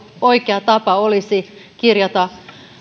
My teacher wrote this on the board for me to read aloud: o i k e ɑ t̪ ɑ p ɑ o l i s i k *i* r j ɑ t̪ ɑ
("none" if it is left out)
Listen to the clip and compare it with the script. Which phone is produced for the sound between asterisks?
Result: i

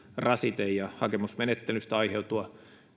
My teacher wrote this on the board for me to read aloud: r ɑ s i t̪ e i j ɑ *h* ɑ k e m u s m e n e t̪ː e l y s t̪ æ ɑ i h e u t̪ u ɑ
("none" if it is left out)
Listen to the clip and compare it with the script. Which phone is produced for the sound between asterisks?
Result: h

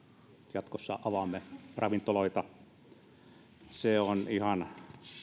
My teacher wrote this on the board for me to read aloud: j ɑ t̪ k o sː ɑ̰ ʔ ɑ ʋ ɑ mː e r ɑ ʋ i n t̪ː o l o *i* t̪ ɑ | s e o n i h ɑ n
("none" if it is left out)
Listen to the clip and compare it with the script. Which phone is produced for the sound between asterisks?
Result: i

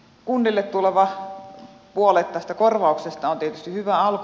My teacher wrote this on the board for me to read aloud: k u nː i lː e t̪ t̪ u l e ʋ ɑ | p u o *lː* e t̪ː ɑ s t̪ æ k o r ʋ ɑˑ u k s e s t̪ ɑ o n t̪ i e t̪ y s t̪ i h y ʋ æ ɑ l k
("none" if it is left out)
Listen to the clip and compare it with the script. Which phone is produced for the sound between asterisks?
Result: l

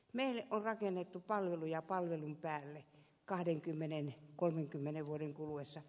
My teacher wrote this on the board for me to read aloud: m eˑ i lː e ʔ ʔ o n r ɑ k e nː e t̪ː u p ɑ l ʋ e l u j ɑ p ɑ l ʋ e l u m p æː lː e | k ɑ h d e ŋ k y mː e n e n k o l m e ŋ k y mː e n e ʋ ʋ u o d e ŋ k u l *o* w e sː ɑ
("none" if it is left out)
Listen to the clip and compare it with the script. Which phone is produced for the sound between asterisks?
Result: u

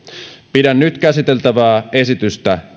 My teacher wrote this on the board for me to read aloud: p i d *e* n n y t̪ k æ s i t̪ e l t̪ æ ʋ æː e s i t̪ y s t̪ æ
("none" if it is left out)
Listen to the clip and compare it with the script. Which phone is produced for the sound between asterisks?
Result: æ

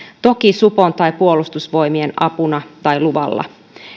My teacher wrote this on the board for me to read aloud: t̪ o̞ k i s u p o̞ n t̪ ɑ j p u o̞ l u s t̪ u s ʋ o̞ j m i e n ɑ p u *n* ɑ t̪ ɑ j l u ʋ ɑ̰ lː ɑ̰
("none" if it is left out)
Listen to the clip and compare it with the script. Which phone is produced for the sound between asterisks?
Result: n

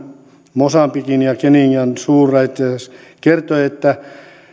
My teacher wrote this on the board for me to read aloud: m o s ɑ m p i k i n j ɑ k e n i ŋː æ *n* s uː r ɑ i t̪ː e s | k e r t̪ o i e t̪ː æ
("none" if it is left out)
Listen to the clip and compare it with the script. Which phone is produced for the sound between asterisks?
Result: n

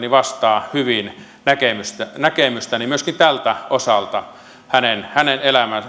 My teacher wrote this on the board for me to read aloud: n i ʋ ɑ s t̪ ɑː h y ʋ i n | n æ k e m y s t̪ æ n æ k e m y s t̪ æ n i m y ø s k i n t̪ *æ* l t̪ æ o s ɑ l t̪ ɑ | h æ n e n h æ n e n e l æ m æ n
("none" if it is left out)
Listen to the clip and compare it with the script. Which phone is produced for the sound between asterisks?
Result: æ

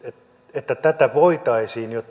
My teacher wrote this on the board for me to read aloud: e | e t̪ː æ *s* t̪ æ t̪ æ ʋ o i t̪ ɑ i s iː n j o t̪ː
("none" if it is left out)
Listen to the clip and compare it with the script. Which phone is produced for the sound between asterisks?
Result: none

